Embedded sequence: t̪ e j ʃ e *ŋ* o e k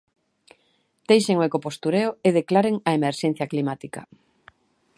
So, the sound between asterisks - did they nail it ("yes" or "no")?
yes